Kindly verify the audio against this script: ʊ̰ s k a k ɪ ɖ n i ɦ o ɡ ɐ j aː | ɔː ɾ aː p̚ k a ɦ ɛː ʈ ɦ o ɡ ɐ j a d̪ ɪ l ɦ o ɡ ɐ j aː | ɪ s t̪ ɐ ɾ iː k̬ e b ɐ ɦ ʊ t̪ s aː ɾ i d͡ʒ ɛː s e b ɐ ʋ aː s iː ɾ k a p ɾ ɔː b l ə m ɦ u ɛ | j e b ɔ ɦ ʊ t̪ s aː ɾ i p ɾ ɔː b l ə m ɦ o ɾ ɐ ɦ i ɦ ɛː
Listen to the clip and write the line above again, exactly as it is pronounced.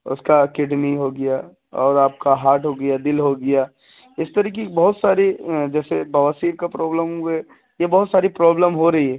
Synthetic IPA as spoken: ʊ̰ s k a k ɪ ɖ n i ɦ o ɡ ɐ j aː | ɔː ɾ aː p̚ k a ɦ aː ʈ ɦ o ɡ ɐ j a d̪ ɪ l ɦ o ɡ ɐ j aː | ɪ s t̪ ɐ ɾ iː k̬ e b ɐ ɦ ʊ t̪ s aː ɾ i d͡ʒ ɛː s e b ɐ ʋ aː s iː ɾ k a p ɾ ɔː b l ə m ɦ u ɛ | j e b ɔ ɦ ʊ t̪ s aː ɾ i p ɾ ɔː b l ə m ɦ o ɾ ɐ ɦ i ɦ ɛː

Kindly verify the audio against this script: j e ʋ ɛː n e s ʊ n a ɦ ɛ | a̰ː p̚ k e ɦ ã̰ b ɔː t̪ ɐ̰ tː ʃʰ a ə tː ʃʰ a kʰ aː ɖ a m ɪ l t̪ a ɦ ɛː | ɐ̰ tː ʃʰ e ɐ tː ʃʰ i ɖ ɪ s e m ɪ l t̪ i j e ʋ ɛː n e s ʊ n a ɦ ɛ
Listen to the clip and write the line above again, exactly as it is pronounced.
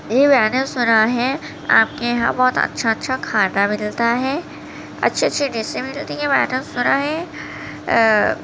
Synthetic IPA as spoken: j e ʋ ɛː n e s ʊ n a ɦ ɛ | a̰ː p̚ k e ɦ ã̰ b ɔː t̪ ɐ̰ tː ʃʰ a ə tː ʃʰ a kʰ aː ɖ a m ɪ l t̪ a ɦ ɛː | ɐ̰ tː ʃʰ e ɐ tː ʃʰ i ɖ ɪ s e m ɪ l t̪ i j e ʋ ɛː n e s ʊ n a ɦ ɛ

